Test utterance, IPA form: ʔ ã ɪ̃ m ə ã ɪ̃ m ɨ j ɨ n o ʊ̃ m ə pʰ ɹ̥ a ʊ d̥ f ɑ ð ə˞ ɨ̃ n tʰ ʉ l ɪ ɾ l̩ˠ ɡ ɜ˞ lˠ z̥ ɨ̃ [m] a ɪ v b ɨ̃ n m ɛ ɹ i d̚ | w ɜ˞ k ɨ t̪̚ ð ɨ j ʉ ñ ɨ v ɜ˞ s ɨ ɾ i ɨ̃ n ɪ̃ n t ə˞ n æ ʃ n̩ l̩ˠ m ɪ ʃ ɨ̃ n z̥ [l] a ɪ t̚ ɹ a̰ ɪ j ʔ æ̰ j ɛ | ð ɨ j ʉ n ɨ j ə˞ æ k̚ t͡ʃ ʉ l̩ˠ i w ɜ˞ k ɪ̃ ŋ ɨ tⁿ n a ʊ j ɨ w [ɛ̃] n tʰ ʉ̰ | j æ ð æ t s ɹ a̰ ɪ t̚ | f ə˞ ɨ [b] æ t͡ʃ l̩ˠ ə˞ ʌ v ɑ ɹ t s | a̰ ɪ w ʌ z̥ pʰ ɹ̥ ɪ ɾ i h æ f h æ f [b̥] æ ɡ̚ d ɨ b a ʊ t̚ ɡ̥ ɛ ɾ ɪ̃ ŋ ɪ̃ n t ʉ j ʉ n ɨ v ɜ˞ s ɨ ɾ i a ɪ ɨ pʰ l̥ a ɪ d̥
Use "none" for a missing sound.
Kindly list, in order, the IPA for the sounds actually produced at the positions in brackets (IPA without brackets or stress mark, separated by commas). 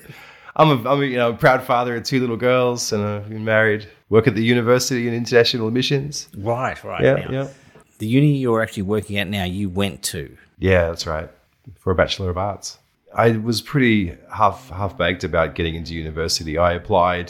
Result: n, ɹ, ɛ̃, b, b̥